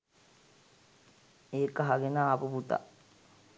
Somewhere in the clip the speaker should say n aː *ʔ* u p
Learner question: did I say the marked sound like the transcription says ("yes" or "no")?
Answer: no